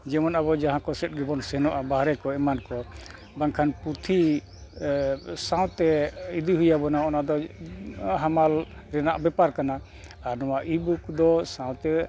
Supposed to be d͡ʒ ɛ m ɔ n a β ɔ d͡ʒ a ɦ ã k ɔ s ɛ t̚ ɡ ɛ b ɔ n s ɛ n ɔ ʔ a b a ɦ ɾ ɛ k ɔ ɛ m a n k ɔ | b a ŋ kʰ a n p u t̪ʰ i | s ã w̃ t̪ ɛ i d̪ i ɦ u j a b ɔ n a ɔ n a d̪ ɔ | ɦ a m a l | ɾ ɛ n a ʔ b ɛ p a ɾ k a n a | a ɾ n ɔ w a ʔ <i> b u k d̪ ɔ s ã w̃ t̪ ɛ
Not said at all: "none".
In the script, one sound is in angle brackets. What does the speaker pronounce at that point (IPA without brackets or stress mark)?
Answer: i